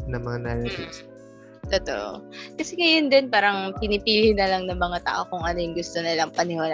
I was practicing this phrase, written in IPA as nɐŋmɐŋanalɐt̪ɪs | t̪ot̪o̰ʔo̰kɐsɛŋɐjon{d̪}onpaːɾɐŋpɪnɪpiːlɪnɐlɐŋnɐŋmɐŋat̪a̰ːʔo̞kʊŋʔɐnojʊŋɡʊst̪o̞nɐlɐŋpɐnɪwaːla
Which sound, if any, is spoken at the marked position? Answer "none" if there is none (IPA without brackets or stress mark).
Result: d̪